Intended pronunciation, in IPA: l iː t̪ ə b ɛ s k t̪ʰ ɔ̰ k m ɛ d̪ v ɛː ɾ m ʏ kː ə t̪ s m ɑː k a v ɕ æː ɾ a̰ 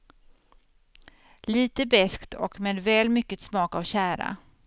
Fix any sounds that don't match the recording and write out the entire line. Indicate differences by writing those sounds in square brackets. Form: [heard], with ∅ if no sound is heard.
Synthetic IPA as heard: l iː t̪ ə b ɛ s k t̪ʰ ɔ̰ k m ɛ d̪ v ɛː [l] m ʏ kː ə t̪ s m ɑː k a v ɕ æː ɾ a̰